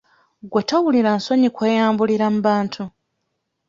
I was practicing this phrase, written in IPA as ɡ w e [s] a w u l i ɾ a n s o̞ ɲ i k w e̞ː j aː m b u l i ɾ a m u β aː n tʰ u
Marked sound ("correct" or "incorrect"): incorrect